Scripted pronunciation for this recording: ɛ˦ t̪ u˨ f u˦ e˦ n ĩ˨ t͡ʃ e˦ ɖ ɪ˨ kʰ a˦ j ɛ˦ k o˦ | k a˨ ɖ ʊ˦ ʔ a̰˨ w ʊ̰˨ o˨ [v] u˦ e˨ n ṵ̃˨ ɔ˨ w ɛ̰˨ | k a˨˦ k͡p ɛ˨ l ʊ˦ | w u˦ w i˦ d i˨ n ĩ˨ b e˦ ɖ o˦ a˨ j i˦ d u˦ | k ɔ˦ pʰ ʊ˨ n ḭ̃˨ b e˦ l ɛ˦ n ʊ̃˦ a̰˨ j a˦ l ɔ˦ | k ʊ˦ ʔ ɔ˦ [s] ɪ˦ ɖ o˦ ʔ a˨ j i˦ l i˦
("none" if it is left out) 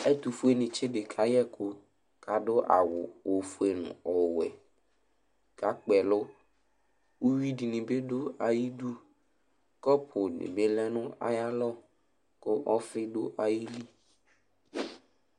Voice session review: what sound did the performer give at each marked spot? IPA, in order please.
f, f

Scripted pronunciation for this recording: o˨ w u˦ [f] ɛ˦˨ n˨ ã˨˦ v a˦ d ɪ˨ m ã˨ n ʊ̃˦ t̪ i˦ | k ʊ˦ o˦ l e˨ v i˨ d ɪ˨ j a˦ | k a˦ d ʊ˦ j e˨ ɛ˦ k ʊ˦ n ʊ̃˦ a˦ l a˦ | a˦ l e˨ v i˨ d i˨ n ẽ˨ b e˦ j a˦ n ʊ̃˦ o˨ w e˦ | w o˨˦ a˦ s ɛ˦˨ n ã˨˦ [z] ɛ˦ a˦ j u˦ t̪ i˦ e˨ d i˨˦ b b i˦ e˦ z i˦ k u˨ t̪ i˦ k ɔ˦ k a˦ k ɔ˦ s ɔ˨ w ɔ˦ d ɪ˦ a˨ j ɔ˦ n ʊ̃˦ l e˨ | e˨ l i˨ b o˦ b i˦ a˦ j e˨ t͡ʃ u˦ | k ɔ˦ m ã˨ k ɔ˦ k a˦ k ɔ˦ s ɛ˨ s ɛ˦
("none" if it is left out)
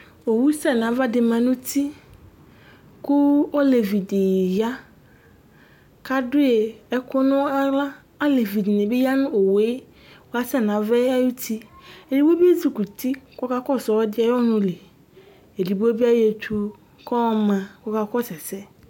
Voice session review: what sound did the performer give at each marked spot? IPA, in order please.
s, v

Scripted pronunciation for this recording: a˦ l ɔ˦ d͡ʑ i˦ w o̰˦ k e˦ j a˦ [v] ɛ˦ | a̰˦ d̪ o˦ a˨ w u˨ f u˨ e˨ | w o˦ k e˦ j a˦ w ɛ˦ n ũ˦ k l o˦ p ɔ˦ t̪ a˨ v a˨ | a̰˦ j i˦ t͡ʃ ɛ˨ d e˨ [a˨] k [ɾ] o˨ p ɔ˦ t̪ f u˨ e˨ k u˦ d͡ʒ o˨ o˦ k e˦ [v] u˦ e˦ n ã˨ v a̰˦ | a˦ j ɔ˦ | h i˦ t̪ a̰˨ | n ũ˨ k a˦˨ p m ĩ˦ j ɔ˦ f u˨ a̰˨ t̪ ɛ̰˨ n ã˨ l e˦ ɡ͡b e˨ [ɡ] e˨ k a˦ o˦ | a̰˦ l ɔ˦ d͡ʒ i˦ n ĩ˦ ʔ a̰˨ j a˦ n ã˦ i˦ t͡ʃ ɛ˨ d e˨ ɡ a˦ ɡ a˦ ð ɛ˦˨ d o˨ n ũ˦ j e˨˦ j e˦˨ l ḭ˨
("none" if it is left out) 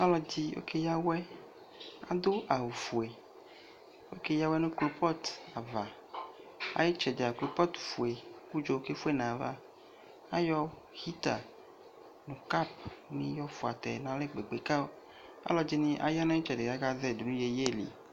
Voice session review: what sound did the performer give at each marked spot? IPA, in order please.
w, a˨, l, f, ɡ͡b

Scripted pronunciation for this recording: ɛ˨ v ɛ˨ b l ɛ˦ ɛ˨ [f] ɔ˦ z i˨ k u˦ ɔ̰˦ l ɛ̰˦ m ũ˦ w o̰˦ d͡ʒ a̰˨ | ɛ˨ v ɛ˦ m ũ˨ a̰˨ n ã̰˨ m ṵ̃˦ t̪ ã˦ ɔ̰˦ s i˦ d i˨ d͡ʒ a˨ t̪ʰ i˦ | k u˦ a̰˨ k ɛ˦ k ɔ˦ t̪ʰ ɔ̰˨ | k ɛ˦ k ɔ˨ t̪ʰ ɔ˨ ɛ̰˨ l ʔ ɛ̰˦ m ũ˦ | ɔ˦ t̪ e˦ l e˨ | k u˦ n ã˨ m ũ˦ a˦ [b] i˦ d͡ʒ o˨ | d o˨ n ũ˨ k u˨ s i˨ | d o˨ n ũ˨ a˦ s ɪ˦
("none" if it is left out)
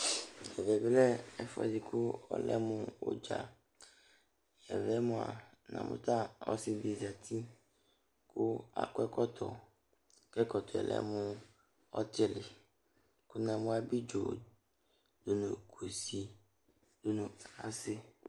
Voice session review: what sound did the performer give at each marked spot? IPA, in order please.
f, b

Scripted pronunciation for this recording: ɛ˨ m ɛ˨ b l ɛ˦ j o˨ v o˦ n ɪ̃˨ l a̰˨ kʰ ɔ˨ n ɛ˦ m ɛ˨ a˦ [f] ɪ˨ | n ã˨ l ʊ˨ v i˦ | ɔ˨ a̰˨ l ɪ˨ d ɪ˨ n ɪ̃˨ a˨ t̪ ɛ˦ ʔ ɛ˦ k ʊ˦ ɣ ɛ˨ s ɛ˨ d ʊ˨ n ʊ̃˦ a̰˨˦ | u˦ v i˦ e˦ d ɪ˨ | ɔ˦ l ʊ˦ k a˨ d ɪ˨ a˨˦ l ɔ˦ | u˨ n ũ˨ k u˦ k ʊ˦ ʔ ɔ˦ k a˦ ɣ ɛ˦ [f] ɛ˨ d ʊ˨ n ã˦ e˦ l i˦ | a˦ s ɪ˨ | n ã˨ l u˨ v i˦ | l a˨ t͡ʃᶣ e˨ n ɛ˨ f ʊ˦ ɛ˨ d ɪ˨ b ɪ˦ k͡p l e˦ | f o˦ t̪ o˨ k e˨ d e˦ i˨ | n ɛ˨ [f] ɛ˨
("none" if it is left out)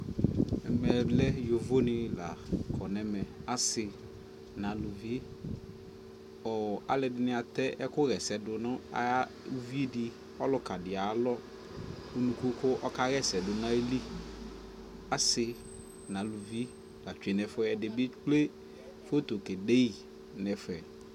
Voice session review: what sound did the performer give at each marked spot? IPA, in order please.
s, s, f

